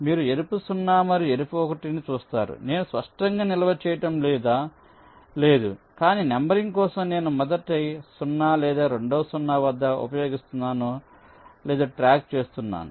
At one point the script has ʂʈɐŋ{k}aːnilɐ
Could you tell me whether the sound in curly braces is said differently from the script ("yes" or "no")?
yes